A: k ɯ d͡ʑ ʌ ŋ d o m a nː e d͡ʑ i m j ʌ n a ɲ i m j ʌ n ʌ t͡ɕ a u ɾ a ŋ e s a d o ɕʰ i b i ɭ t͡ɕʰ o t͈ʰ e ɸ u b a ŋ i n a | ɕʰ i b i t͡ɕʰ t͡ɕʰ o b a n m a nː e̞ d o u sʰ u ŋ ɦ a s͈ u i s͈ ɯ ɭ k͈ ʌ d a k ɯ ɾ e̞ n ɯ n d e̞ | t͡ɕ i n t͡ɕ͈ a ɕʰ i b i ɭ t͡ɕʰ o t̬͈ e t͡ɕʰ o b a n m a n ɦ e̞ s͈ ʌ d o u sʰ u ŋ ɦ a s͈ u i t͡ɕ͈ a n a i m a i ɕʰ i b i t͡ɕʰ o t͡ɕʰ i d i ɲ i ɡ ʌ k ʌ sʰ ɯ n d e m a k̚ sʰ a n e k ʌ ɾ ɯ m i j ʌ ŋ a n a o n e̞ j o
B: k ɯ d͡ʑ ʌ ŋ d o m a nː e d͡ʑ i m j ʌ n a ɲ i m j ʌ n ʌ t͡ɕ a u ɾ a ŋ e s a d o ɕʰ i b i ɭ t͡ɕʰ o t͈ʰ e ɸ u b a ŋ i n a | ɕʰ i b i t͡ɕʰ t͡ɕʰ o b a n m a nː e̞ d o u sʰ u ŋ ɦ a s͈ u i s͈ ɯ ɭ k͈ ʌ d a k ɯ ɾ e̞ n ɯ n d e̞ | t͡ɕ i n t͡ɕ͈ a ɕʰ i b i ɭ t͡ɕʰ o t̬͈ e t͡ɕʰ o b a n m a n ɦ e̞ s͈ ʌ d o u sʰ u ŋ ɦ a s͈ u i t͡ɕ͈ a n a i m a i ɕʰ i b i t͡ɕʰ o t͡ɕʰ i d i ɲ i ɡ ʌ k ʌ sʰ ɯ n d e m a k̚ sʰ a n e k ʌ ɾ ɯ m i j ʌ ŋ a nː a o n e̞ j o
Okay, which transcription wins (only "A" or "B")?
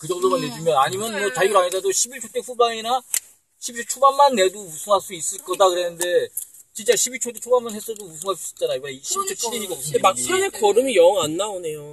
B